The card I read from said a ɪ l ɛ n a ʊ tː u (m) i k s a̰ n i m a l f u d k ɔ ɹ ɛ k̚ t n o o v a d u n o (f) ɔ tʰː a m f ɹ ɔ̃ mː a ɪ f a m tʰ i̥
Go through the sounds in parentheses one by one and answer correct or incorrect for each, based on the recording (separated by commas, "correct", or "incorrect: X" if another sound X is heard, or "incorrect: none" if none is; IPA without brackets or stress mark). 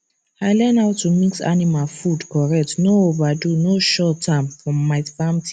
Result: correct, incorrect: ʃ